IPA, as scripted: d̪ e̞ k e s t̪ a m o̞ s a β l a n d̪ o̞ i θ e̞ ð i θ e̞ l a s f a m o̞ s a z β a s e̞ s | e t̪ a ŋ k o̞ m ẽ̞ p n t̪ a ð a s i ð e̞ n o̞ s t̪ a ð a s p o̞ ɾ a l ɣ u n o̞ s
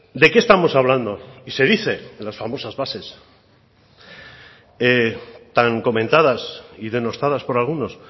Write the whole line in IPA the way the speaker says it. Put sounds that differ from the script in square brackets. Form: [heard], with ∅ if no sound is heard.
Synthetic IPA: d̪ e̞ k e s t̪ a m o̞ s a β l a n d̪ o̞ i [s] e̞ ð i θ e̞ l a s f a m o̞ s a z β a s e̞ s | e t̪ a ŋ k o̞ m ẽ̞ [∅] n t̪ a ð a s i ð e̞ n o̞ s t̪ a ð a s p o̞ ɾ a l ɣ u n o̞ s